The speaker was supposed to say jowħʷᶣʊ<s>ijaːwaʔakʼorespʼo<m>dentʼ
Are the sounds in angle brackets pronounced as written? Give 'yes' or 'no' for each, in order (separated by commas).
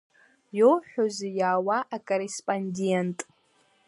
no, no